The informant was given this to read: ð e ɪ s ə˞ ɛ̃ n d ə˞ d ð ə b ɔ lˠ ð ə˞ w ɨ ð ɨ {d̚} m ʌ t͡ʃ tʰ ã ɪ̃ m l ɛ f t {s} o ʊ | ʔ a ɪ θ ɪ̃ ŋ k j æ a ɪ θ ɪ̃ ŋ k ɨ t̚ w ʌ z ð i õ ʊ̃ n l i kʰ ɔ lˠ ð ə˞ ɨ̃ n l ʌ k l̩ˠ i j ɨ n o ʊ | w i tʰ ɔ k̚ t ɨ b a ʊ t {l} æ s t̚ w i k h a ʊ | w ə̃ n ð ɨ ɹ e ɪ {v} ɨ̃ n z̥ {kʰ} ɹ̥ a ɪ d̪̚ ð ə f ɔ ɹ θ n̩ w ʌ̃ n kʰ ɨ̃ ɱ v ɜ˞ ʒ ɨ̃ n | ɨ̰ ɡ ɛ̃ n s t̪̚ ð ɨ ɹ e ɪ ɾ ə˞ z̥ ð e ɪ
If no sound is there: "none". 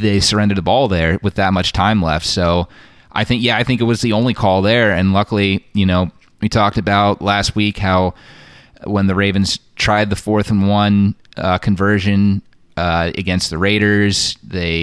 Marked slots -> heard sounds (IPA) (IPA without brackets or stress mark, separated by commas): t̚, s, l, v, tʰ